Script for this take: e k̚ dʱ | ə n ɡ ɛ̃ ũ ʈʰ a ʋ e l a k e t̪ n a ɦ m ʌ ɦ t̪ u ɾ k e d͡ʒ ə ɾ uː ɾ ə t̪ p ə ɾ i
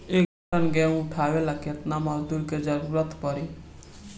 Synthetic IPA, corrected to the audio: e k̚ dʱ | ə n ɡ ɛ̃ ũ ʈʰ a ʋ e l a k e t̪ n a m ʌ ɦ d̪ u ɾ k e d͡ʒ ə ɾ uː ɾ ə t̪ p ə ɾ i